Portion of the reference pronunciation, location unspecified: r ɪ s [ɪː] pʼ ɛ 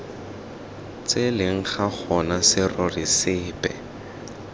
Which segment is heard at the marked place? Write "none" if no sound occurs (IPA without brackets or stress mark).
ɪː